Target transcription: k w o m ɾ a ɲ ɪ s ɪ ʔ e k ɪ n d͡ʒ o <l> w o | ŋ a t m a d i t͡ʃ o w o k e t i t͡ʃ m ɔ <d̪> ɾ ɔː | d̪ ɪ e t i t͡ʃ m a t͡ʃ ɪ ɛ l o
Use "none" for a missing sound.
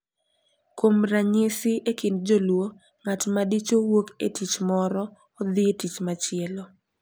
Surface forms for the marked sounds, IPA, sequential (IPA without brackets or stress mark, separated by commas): l, none